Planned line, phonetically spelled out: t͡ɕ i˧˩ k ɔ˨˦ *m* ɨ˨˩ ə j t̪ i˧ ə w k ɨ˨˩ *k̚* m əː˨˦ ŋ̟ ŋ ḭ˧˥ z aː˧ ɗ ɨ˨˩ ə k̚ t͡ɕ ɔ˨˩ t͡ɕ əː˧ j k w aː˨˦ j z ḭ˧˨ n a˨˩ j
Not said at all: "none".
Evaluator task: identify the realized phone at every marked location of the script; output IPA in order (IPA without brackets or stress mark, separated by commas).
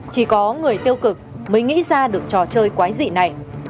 ŋ, k̚